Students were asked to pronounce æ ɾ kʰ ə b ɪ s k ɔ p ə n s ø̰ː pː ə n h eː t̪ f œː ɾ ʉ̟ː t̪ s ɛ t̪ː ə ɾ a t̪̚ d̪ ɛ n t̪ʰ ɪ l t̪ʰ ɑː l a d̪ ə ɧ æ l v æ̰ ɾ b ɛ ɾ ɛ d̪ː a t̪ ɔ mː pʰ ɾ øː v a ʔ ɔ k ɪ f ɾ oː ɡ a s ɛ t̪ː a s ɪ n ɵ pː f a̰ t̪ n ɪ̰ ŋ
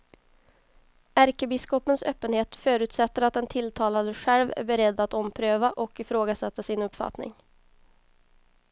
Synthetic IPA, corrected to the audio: æ ɾ k ə b ɪ s k ɔ p ə n s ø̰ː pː ə n h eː t̪ f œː ɾ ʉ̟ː t̪ s ɛ t̪ː ə ɾ a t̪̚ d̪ ɛ n t̪ʰ ɪ l t̪ʰ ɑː l a d̪ ə ɧ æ l v æ̰ ɾ b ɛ ɾ ɛ d̪ː a t̪ ɔ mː pʰ ɾ øː v a ʔ ɔ k ɪ f ɾ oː ɡ a s ɛ t̪ː a s ɪ n ɵ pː f a̰ t̪ n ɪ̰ ŋ

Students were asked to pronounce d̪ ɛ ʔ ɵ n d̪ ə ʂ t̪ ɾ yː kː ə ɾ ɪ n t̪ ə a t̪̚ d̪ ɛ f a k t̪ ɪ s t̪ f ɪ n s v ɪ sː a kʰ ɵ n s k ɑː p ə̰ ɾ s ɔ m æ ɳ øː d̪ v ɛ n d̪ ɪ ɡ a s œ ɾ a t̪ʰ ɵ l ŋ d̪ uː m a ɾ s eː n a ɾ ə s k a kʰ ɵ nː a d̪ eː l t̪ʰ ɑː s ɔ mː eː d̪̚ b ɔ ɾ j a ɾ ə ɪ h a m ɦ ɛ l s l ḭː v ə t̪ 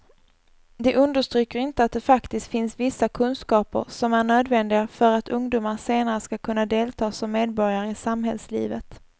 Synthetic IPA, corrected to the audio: d̪ ɛ ʔ ɵ n d̪ ə ʂ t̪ ɾ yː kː ə ɾ ɪ n t̪ ə a t̪̚ d̪ ɛ f a k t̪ ɪ s t̪ f ɪ n s v ɪ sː a kʰ ɵ n s k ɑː p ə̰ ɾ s ɔ m æ ɳ øː d̪ v ɛ n d̪ ɪ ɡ a f œ ɾ a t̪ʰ ɵ ŋ d̪ uː m a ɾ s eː n a ɾ ə s k a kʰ ɵ nː a d̪ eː l t̪ʰ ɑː s ɔ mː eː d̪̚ b ɔ ɾ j a ɾ ə ɪ s a m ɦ ɛ l s l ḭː v ə t̪

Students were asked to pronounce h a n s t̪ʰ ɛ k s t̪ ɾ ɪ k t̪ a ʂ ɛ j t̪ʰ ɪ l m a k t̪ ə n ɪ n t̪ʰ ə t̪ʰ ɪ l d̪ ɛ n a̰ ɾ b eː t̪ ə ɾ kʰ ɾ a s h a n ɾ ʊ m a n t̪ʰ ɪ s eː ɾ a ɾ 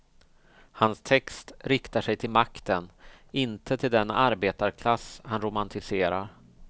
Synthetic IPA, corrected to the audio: h a n s t̪ʰ ɛ k s t̪ ɾ ɪ k t̪ a ʂ ɛ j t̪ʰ ɪ l m a k t̪ ə n ɪ n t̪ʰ ə t̪ʰ ɪ l d̪ ɛ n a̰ ɾ b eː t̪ a ɾ kʰ l a s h a n ɾ ʊ m a n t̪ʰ ɪ s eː ɾ a ɾ

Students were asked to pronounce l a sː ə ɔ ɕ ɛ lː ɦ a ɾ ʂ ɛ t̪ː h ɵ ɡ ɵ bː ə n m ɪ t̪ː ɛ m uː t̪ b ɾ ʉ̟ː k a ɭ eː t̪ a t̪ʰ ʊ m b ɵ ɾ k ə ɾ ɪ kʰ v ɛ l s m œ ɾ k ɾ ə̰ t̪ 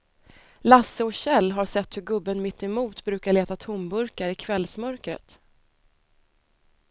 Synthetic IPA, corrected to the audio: l a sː ə ɔ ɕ ɛ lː ɦ a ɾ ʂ ɛ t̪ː h ɵ ɡ ɵ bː ə n m ɪ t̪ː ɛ m uː t̪ b ɾ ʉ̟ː k a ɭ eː t̪ a t̪ʰ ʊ m b ɵ ɾ k a ɾ ɪ kʰ v ɛ l s m œ ɾ k ɾ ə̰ t̪

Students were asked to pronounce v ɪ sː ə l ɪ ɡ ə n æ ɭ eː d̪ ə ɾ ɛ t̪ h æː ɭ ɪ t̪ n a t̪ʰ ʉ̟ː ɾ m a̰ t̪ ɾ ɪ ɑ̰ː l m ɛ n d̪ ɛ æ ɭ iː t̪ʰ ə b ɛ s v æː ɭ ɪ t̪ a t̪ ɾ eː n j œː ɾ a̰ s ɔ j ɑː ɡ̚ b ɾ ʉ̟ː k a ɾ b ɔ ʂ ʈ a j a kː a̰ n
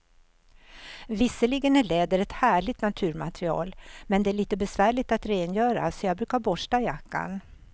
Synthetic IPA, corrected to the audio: v ɪ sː ə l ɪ ɡ ə n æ ɭ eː d̪ ə ɾ ɛ t̪ h æː ɭ ɪ t̪ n a t̪ʰ ʉ̟ː ɾ m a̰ t̪ ɾ ɪ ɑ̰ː l m ɛ n d̪ ɛ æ ɭ iː t̪ ə b ɛ s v æː ɭ ɪ t̪ a t̪ ɾ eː n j œː ɾ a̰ s ɔ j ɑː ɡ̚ b ɾ ʉ̟ː k a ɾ b ɔ ʂ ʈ a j a kː a̰ n

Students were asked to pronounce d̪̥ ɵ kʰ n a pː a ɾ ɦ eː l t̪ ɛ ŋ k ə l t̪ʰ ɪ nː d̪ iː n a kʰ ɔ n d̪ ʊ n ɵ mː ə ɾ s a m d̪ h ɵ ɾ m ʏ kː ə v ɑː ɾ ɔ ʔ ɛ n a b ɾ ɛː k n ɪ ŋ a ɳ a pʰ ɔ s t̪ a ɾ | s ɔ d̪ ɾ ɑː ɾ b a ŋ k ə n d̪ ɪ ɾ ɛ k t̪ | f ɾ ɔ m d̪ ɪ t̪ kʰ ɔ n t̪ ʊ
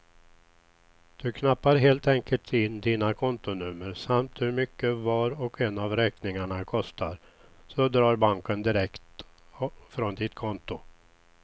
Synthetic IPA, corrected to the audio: d̪̥ ɵ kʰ n a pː a ɾ ɦ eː l t̪ ɛ ŋ k ə l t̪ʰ ɪ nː d̪ iː n a kʰ ɔ n t̪ ʊ n ɵ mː ə ɾ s a m t̪ h ɵ ɾ m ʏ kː ə v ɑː ɾ ɔ k ɛ n a v ɾ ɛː k n ɪ ŋ a ɳ a kʰ ɔ s t̪ a ɾ | s ɔ d̪ ɾ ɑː ɾ b a ŋ k ə n d̪ ɪ ɾ ɛ k t̪ | f ɾ ɔ n d̪ ɪ t̪ kʰ ɔ n t̪ ʊ

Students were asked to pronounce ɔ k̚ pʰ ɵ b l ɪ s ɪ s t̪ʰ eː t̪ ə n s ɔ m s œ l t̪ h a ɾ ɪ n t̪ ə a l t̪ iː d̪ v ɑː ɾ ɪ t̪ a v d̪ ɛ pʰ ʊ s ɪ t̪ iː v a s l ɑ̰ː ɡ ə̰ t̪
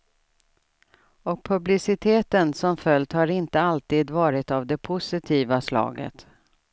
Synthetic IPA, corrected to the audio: ɔ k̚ pʰ ɵ b l ɪ s ɪ t̪ʰ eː t̪ ə n s ɔ m f œ l t̪ h a ɾ ɪ n t̪ ə a l t̪ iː d̪ v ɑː ɾ ɪ t̪ a v d̪ ɛ pʰ ʊ s ɪ t̪ʰ iː v a s l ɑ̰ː ɡ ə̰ t̪

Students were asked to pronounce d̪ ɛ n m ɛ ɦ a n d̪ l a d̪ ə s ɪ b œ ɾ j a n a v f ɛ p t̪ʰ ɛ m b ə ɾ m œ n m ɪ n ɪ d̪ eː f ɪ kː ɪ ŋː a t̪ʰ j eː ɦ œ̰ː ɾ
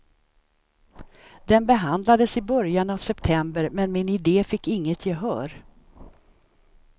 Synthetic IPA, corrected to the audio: d̪ ɛ n b ɛ ɦ a n d̪ l a d̪ ə s ɪ b œ ɾ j a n a v s ɛ p t̪ʰ ɛ m b ə ɾ m ɛ n m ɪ n ɪ d̪ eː f ɪ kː ɪ ŋː ə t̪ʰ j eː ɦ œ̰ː ɾ

